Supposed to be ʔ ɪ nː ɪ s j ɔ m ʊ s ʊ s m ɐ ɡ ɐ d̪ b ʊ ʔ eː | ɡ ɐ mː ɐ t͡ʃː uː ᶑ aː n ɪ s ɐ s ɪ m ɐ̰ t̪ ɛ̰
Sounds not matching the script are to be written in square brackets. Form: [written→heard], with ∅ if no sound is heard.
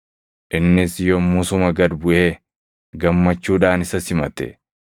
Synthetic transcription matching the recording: ʔ ɪ nː ɪ s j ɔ m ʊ s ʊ [s→∅] m ɐ ɡ ɐ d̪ b ʊ ʔ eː | ɡ ɐ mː ɐ t͡ʃː uː ᶑ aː n ɪ s ɐ s ɪ m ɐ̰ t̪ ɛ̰